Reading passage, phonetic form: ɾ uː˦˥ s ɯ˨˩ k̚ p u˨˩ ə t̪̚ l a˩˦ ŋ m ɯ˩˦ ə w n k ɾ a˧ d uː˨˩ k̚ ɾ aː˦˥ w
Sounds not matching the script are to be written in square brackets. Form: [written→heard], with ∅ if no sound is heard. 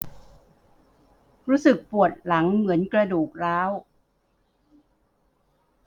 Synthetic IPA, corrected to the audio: ɾ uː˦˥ s ɯ˨˩ k̚ p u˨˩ ə t̪̚ l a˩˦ ŋ m ɯ˩˦ ə [w→∅] n k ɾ a˧ d uː˨˩ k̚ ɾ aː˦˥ w

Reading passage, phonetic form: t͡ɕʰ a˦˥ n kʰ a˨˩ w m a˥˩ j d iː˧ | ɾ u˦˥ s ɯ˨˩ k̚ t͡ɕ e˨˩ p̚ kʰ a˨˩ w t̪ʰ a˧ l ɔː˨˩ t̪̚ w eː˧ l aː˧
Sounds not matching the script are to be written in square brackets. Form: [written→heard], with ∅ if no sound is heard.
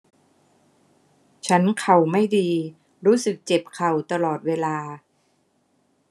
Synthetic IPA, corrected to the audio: t͡ɕʰ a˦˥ n kʰ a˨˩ w m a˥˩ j d iː˧ | ɾ [u˦˥→uː˦˥] s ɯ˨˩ k̚ t͡ɕ e˨˩ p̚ kʰ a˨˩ w [t̪ʰ→t̪] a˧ l ɔː˨˩ t̪̚ w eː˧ l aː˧

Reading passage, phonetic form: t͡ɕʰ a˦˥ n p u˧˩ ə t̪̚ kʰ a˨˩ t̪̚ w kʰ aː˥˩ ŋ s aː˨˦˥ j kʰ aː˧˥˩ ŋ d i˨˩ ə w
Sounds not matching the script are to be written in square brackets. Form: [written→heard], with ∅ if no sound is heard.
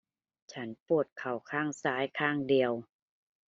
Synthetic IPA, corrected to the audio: t͡ɕʰ a˦˥ n p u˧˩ ə t̪̚ kʰ a˨˩ [t̪̚→∅] w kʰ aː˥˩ ŋ s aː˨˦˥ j kʰ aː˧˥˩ ŋ d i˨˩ ə w

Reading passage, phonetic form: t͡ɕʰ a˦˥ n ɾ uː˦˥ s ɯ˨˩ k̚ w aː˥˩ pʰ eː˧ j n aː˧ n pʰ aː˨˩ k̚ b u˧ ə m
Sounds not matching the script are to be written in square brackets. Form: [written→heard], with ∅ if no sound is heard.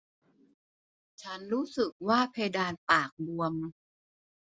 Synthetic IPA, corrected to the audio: t͡ɕʰ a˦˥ n ɾ uː˦˥ s ɯ˨˩ k̚ w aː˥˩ pʰ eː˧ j [n→d] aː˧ n [pʰ→p] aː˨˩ k̚ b u˧ ə m

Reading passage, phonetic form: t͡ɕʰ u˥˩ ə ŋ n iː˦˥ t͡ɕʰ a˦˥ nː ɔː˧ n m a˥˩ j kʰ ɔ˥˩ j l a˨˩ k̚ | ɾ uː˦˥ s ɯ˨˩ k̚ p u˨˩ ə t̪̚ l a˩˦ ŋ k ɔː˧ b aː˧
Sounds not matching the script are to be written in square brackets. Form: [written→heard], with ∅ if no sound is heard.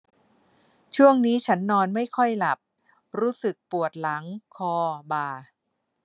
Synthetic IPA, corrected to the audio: t͡ɕʰ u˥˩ ə ŋ n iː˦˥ t͡ɕʰ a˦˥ nː ɔː˧ n m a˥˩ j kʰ ɔ˥˩ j l a˨˩ [k̚→p̚] | ɾ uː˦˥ s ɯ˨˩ k̚ p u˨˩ ə t̪̚ l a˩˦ ŋ [k→kʰ] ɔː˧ b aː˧

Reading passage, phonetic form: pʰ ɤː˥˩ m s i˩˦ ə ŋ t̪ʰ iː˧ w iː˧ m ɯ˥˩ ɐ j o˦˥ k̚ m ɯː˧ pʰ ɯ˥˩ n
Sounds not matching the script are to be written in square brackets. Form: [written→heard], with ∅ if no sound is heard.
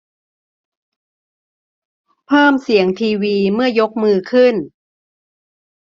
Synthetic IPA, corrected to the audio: pʰ ɤː˥˩ m s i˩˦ ə ŋ t̪ʰ iː˧ w iː˧ m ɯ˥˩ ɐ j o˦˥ k̚ m ɯː˧ [pʰ→kʰ] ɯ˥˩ n

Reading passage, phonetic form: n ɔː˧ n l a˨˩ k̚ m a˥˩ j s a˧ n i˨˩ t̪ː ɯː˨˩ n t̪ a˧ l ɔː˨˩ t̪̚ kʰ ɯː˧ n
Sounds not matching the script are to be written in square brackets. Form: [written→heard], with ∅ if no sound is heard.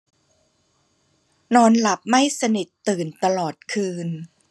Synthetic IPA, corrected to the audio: n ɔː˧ n l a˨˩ [k̚→p̚] m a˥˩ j s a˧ n i˨˩ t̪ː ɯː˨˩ n t̪ a˧ l ɔː˨˩ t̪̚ kʰ ɯː˧ n

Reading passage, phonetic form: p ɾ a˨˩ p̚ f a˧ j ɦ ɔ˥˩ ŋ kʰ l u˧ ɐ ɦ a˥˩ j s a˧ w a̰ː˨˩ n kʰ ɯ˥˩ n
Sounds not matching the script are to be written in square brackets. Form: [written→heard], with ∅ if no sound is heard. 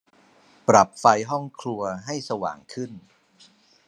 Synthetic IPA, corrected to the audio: p ɾ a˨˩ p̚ f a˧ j ɦ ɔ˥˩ ŋ kʰ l u˧ ɐ ɦ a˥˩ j s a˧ w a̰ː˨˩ [n→ŋ] kʰ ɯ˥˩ n

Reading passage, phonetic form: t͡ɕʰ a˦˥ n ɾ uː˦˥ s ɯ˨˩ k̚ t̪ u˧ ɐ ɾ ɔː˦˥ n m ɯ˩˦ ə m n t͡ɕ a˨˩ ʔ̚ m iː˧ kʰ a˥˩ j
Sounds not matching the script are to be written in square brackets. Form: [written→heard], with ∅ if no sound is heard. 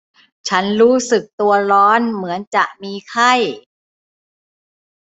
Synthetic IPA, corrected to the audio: t͡ɕʰ a˦˥ n ɾ uː˦˥ s ɯ˨˩ k̚ t̪ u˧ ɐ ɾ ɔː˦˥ n m ɯ˩˦ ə [m→∅] n t͡ɕ a˨˩ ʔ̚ m iː˧ kʰ a˥˩ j

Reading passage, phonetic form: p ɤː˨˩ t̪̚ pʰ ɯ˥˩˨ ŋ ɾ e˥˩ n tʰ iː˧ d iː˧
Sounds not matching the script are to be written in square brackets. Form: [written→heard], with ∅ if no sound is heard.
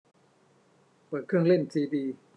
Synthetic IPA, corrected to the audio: p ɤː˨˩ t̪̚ [pʰ→kʰ] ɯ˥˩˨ ŋ [ɾ→l] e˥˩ n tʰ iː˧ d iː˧

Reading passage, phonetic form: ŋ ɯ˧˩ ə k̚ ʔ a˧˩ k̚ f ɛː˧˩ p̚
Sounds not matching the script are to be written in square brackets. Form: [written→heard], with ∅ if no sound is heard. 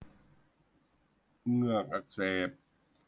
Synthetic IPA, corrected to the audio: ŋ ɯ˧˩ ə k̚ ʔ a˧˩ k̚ [f→s] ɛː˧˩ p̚

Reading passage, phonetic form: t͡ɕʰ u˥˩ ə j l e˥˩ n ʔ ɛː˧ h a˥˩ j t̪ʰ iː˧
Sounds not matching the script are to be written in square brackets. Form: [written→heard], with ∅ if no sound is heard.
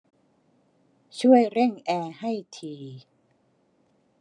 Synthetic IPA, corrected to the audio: t͡ɕʰ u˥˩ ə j [l→ɾ] e˥˩ [n→ŋ] ʔ ɛː˧ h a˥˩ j t̪ʰ iː˧

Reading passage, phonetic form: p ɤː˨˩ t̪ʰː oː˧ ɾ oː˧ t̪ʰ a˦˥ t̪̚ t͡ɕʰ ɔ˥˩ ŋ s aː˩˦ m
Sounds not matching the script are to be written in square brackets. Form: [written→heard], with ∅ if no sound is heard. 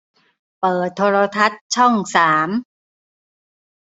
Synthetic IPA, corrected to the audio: p ɤː˨˩ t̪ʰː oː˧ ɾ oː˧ t̪ʰ a˦˥ t̪̚ t͡ɕʰ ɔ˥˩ ŋ s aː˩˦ m

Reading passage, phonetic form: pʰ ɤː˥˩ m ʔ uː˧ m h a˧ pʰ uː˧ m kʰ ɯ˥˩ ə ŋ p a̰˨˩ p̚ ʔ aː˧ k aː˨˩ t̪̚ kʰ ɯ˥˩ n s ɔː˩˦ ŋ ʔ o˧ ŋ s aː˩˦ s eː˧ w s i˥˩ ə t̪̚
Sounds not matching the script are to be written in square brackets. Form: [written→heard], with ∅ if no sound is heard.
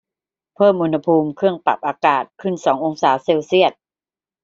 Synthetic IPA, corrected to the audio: pʰ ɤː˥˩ m ʔ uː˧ [m→n] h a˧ pʰ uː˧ m kʰ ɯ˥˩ ə ŋ p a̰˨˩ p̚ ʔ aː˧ k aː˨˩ t̪̚ kʰ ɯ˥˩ n s ɔː˩˦ ŋ ʔ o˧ ŋ s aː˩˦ s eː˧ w s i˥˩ ə t̪̚

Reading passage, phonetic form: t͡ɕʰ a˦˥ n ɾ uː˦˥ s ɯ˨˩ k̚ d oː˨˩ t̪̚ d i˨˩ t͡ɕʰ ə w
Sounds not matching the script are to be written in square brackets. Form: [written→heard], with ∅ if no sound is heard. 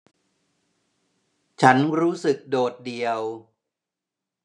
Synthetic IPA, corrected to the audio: t͡ɕʰ a˦˥ n ɾ uː˦˥ s ɯ˨˩ k̚ d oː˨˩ t̪̚ d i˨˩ [t͡ɕʰ→∅] ə w

